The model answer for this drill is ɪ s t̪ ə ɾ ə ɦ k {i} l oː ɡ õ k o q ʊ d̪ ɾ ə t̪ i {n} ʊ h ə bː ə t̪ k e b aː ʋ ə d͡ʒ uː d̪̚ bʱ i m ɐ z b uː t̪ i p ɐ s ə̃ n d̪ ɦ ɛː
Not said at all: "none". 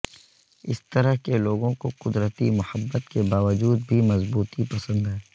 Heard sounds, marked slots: e, m

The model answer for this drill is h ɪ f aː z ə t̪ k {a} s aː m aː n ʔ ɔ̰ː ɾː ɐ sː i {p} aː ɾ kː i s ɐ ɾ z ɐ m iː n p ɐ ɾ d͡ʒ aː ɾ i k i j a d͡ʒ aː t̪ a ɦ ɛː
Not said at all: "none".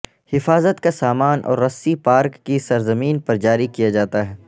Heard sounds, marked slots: a, p

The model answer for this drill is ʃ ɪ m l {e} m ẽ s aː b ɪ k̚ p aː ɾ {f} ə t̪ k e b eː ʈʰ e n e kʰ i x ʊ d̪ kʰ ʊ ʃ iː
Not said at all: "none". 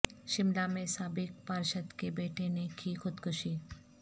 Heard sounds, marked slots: a, ʃ

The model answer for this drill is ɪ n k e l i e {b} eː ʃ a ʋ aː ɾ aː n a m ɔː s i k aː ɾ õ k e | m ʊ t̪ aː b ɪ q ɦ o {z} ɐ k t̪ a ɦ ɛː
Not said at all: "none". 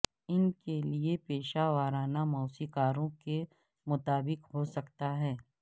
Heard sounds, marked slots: p, s

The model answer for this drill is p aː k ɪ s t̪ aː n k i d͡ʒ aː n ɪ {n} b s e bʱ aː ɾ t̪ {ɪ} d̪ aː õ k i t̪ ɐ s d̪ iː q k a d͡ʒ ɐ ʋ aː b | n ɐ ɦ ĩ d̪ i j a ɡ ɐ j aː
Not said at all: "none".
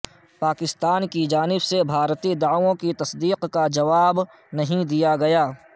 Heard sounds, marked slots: none, i

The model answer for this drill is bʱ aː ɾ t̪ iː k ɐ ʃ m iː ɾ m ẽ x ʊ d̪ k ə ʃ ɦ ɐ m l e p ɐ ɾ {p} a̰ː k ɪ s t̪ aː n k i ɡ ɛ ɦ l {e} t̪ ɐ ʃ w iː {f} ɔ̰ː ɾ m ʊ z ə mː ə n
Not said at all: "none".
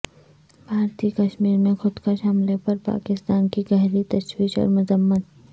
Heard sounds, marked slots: p, i, ʃ

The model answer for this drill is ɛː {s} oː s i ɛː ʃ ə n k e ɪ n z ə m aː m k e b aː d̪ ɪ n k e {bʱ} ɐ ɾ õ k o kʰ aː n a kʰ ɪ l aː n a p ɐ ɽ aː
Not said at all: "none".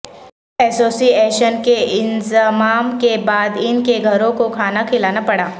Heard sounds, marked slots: s, ɡʱ

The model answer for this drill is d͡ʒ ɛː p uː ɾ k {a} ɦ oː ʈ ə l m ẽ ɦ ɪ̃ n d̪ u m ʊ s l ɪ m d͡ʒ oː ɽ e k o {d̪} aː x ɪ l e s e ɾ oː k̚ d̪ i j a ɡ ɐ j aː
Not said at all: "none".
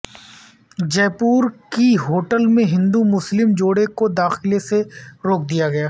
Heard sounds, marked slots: i, d̪

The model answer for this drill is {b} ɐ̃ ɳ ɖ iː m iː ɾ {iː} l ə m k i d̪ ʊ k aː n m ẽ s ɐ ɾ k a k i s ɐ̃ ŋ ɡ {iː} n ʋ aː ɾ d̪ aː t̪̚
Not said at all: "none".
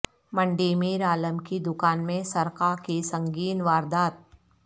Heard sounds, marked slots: m, aː, iː

